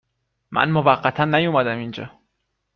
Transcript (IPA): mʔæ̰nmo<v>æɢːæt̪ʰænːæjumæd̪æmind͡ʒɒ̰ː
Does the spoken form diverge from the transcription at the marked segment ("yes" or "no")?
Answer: no